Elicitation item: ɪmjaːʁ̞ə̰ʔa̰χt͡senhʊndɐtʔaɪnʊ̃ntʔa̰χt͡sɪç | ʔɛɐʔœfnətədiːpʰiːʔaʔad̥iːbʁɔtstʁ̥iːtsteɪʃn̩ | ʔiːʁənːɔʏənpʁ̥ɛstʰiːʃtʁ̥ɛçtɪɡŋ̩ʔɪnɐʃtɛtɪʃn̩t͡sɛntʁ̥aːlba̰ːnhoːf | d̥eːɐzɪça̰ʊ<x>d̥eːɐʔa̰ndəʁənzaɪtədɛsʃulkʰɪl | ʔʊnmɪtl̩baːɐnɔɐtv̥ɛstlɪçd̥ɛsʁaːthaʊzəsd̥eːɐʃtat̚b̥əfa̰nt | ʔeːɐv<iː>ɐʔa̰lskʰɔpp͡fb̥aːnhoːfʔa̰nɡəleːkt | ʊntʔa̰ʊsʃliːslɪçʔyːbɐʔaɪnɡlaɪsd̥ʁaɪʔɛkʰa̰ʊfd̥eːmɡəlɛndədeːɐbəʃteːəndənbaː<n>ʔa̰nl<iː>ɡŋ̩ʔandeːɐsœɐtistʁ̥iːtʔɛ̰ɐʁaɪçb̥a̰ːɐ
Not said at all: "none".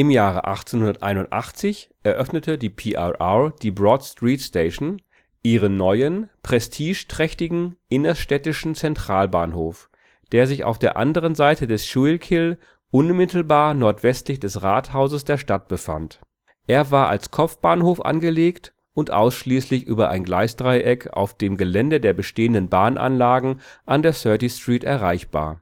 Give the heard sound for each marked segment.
f, aː, n, aː

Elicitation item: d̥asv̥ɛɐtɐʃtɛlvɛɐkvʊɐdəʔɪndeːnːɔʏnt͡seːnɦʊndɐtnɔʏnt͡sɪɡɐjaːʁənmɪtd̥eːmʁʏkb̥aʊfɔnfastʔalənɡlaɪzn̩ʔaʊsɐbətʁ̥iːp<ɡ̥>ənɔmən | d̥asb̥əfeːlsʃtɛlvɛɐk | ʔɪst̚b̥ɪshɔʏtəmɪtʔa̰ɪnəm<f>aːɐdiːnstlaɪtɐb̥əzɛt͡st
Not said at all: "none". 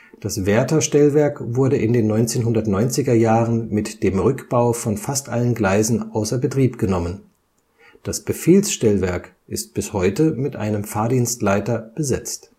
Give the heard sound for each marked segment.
ɡ̥, f

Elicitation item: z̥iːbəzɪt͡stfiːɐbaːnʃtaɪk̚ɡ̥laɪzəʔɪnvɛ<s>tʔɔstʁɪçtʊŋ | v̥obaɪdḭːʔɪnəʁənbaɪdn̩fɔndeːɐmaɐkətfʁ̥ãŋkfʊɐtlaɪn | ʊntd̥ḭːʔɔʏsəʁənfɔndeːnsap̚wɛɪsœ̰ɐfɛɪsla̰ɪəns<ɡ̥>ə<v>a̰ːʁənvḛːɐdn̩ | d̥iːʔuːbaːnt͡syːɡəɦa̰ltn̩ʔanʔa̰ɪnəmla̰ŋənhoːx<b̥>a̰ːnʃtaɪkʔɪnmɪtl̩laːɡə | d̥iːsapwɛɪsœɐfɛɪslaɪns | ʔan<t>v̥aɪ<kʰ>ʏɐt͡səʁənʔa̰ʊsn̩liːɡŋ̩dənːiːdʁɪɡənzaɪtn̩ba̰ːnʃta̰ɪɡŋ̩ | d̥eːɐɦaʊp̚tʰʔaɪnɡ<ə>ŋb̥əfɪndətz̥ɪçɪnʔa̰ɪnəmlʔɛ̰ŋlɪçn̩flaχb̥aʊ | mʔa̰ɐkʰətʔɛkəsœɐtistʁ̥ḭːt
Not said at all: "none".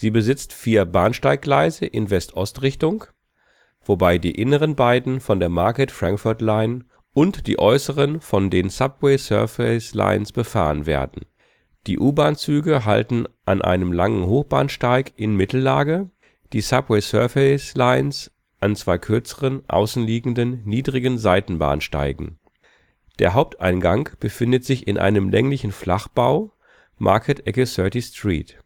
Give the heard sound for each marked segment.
s, b̥, f, b̥, t͡s, kʰ, a

